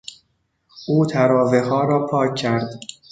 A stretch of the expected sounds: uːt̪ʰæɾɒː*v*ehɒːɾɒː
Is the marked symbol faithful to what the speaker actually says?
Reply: yes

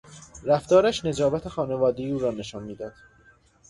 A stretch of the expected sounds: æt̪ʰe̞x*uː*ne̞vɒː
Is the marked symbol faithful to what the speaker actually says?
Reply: no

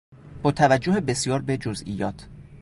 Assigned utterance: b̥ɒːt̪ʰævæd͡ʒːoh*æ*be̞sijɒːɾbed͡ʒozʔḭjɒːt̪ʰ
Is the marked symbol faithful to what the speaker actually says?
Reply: no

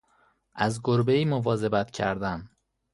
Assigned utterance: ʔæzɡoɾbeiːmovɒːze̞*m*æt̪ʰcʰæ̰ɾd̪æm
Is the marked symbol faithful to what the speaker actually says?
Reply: no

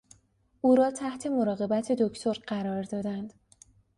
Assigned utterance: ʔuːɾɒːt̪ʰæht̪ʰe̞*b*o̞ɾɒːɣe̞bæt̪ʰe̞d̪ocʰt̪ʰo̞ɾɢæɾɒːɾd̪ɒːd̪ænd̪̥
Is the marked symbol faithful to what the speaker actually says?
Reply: no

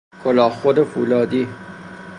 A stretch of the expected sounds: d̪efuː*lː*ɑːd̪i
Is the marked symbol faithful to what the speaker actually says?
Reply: no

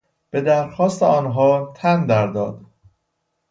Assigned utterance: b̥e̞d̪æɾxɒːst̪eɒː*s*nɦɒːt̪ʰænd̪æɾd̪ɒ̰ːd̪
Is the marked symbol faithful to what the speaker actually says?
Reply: no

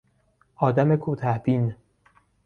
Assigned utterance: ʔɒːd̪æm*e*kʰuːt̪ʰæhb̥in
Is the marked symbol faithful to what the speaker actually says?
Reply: yes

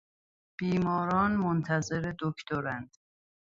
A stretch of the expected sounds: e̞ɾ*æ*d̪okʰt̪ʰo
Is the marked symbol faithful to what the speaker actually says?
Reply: no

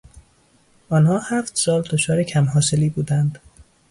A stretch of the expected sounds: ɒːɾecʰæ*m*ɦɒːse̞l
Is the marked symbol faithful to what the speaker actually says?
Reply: yes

